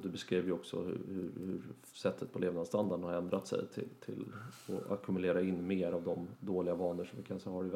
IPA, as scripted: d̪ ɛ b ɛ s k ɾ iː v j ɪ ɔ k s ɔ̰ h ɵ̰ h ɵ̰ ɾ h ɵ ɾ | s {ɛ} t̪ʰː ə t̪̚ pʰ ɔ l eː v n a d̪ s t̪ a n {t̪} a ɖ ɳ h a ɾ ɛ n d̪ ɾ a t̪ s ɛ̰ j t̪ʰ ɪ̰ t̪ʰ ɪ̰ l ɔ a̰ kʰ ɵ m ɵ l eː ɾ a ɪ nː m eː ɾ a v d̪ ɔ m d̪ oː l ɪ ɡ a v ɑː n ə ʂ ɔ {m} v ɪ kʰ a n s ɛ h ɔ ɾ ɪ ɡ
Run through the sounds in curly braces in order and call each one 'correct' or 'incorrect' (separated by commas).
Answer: correct, incorrect, correct